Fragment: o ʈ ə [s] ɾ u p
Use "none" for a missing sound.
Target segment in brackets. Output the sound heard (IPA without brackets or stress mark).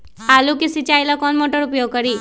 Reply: none